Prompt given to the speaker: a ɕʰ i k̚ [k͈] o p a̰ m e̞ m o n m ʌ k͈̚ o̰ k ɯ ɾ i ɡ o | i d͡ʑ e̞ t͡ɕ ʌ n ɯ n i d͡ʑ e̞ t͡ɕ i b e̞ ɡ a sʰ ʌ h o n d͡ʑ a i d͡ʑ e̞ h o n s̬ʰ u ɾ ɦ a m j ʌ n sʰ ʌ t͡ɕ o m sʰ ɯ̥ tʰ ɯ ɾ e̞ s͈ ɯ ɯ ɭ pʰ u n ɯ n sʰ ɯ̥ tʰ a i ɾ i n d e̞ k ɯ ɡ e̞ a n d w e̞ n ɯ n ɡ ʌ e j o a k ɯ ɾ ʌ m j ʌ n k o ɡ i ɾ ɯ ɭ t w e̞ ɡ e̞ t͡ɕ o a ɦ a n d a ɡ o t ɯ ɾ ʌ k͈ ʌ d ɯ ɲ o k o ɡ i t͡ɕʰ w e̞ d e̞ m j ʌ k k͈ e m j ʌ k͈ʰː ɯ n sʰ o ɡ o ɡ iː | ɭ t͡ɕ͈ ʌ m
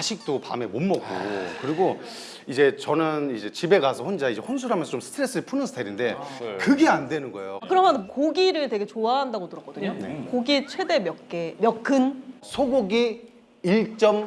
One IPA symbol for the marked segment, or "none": t͈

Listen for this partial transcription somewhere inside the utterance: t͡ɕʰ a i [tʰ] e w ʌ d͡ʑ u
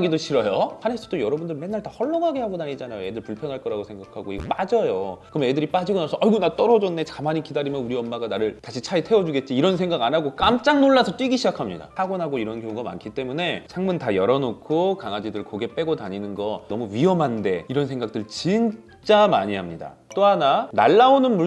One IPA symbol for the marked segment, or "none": tʰ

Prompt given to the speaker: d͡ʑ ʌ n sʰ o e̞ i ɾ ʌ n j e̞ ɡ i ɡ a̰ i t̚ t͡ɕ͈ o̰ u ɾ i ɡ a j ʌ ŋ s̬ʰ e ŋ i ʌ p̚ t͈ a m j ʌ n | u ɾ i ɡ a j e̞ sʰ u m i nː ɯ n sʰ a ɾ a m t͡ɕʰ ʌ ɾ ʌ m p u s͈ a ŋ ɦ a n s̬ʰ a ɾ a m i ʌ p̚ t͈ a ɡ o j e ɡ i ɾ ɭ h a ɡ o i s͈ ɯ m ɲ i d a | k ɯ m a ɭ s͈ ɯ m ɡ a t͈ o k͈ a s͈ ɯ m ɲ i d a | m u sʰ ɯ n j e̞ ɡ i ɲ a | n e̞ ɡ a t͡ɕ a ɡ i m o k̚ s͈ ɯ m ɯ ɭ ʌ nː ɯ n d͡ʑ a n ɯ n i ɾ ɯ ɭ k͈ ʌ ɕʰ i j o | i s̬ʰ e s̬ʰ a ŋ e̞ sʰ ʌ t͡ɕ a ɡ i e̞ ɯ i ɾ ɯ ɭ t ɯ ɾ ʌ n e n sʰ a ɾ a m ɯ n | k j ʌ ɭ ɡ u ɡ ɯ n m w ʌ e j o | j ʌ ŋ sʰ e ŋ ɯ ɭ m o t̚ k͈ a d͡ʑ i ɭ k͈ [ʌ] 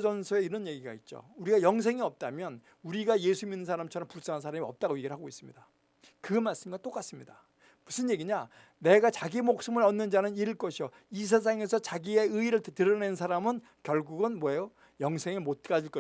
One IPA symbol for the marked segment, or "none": ʌ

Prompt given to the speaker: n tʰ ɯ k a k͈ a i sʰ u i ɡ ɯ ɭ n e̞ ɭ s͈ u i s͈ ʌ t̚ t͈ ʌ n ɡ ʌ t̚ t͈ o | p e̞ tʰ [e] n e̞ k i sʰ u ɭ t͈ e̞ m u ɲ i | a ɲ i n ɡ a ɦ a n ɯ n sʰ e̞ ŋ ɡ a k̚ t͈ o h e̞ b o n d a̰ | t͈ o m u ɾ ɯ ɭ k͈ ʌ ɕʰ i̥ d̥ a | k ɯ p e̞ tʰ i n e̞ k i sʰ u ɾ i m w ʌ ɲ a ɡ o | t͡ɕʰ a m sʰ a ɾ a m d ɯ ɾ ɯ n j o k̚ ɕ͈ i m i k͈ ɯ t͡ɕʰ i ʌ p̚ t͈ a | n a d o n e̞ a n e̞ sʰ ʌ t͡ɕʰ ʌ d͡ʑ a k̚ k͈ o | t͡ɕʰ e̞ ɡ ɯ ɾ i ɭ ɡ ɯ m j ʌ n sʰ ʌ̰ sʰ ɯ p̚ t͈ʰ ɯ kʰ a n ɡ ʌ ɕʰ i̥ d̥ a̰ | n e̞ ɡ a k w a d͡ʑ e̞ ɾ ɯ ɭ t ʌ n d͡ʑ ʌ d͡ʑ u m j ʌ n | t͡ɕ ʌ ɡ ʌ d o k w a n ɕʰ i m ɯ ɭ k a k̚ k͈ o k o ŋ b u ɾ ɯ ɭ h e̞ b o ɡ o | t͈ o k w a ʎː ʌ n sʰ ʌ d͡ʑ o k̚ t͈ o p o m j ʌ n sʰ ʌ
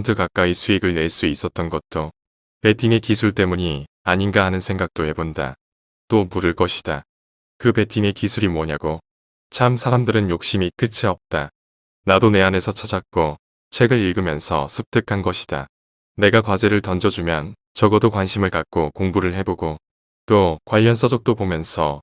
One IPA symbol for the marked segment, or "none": i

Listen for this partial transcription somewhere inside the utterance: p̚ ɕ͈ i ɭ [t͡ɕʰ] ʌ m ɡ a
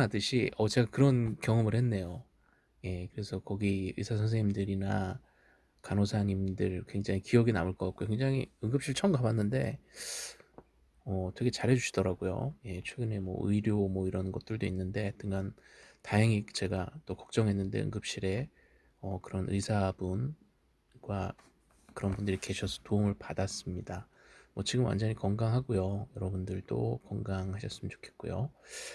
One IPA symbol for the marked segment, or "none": t͡ɕʰ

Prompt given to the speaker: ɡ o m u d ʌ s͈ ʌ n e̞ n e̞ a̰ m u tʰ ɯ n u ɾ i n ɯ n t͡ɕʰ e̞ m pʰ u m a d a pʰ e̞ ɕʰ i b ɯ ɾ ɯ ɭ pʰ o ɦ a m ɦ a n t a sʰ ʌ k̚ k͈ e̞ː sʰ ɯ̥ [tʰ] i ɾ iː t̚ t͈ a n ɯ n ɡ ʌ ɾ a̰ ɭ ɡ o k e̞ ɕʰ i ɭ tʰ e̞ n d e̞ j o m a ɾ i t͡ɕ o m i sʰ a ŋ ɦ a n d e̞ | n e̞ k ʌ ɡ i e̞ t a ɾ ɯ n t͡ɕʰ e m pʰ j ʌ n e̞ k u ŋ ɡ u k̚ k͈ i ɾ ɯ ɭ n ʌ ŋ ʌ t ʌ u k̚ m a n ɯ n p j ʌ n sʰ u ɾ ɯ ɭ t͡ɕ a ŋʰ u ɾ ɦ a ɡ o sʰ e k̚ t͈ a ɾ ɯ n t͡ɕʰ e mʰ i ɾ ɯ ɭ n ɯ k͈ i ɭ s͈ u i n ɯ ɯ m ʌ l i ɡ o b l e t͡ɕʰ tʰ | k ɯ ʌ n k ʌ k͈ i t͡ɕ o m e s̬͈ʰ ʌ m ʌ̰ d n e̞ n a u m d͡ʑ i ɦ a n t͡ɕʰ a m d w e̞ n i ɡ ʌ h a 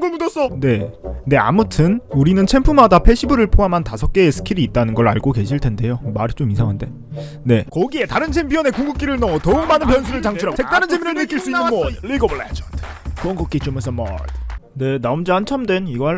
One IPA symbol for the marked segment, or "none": kʰ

